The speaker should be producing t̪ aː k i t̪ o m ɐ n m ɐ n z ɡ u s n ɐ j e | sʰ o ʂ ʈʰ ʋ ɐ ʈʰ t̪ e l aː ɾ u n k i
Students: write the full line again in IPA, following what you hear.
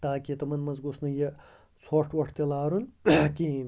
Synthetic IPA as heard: t̪ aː k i t̪ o m ɐ n m ɐ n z ɡ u s n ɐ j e | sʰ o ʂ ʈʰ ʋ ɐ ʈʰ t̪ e l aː ɾ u n k i